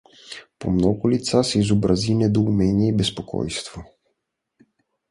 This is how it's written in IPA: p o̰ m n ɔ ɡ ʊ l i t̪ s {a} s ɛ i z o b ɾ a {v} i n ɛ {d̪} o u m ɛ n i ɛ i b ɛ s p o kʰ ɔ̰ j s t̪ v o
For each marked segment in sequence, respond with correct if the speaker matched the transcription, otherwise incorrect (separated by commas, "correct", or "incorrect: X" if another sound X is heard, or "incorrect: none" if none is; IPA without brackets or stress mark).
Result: correct, incorrect: z, correct